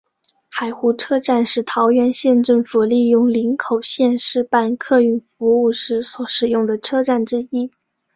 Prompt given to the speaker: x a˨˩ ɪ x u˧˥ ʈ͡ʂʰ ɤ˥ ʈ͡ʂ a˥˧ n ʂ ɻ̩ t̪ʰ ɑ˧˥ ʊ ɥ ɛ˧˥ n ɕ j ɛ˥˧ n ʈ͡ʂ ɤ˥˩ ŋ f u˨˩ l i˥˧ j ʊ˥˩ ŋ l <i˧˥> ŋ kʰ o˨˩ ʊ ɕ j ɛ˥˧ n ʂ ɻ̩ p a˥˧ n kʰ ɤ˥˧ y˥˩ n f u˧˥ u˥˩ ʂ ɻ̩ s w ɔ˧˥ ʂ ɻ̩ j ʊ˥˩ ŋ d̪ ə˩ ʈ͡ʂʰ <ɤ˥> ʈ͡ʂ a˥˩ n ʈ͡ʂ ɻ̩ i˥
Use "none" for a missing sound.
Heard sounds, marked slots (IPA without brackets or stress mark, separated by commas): i˧˥, ɤ˥